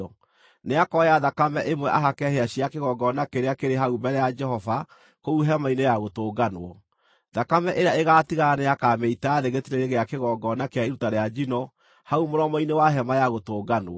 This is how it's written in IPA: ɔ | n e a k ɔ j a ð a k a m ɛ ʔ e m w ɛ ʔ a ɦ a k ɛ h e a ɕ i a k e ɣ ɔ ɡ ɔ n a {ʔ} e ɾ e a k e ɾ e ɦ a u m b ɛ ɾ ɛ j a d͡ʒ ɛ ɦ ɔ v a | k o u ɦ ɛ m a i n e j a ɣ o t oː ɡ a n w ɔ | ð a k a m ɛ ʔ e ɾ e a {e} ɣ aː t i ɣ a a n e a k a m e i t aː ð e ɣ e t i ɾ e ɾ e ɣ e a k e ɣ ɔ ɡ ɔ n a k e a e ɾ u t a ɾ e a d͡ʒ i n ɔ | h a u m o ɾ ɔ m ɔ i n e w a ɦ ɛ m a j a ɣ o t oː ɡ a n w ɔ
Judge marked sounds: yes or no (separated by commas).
no, yes